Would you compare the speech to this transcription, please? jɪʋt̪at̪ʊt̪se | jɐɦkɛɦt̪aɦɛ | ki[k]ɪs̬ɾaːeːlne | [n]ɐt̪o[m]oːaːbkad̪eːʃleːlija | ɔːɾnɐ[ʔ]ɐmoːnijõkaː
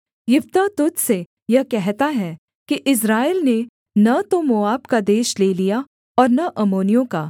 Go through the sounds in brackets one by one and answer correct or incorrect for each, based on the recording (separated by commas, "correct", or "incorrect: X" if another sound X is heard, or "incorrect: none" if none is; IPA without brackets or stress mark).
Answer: incorrect: ʔ, correct, correct, correct